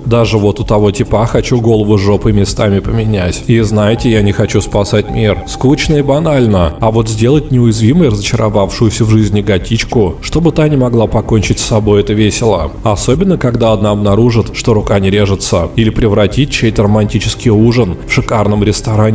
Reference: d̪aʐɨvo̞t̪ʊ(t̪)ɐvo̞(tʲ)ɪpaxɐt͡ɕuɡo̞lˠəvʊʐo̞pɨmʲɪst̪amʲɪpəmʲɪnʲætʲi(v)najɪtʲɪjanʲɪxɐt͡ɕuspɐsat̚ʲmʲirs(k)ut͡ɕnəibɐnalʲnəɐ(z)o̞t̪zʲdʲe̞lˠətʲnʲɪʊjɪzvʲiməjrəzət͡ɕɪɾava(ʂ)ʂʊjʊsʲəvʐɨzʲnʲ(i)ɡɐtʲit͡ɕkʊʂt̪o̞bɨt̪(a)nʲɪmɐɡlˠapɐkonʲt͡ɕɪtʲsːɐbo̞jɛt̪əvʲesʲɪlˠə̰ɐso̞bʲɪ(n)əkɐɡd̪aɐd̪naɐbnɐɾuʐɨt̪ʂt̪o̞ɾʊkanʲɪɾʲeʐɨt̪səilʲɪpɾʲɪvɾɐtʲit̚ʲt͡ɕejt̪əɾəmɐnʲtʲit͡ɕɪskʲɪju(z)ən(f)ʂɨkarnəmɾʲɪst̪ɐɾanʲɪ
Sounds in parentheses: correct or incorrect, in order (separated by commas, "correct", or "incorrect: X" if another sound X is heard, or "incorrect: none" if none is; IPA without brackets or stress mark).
correct, correct, incorrect: z, correct, incorrect: v, incorrect: f, incorrect: ɪ, correct, incorrect: nː, incorrect: ʐ, correct